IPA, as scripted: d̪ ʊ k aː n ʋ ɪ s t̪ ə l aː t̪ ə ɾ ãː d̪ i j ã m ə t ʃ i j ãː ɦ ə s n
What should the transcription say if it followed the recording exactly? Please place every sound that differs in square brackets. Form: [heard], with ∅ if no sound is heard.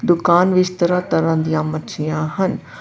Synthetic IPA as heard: d̪ ʊ k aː n ʋ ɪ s t̪ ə [ɾ] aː t̪ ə ɾ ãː d̪ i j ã m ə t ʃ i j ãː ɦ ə [∅] n